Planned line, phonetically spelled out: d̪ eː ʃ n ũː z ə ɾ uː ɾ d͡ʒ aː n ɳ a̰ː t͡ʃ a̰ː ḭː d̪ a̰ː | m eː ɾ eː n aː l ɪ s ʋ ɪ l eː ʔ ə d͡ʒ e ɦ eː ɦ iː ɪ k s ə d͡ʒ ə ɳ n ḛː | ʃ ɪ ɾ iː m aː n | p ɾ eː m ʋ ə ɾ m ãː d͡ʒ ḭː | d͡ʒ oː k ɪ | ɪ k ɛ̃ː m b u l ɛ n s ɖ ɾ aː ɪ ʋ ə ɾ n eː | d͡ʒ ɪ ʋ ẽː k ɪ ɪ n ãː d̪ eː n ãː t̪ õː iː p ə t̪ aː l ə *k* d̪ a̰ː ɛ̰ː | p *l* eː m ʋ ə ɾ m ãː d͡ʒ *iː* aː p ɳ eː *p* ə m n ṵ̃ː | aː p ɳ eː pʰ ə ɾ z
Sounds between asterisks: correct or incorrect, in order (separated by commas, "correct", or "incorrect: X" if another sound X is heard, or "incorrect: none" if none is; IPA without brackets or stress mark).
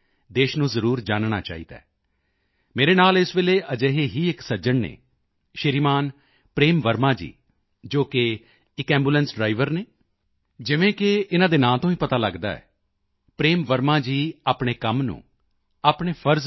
incorrect: ɡ, incorrect: ɾ, correct, incorrect: k